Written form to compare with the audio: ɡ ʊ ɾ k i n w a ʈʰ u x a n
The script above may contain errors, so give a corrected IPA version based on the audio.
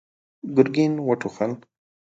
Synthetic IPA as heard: ɡ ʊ ɾ ɡ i n w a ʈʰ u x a n